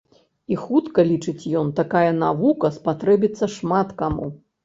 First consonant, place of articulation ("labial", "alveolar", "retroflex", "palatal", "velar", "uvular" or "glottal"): velar